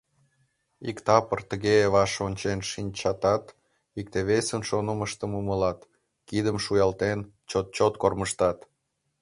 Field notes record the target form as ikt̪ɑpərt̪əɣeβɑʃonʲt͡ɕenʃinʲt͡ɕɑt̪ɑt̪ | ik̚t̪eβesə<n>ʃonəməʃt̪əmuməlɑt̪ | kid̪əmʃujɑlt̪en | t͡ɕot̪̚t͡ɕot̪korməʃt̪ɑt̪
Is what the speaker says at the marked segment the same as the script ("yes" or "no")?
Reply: yes